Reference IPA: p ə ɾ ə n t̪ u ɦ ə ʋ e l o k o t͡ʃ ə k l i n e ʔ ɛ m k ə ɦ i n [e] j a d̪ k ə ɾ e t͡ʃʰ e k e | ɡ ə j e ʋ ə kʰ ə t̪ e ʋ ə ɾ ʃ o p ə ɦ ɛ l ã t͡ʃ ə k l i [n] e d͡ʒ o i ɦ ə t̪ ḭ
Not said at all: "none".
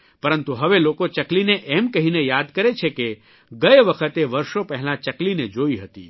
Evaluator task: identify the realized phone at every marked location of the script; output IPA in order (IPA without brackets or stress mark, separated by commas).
e, n